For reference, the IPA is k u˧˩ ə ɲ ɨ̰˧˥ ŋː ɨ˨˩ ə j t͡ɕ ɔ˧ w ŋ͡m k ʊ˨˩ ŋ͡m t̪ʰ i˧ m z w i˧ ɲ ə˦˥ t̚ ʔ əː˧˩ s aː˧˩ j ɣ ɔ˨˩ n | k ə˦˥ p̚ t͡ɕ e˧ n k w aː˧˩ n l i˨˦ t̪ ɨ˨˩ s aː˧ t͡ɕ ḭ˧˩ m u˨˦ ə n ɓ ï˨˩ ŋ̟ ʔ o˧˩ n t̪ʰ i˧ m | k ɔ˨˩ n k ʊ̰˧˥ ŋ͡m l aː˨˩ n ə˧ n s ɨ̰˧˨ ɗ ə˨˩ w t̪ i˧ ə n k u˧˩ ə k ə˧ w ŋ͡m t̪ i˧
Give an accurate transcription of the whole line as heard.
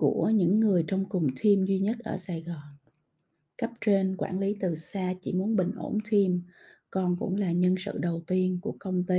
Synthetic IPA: k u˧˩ ə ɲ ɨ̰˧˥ ŋː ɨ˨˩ ə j t͡ɕ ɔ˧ w ŋ͡m k ʊ˨˩ ŋ͡m t̪ʰ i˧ m z w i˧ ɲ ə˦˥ t̚ ʔ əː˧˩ s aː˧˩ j ɣ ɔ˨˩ n | k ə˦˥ p̚ t͡ɕ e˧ n k w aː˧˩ n l i˨˦ t̪ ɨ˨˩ s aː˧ t͡ɕ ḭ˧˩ m u˨˦ ə n ɓ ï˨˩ ŋ̟ ʔ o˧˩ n t̪ʰ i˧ m | k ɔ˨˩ n k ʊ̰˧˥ ŋ͡m l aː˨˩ ɲ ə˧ n s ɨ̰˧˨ ɗ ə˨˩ w t̪ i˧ ə n k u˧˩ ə k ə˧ w ŋ͡m t̪ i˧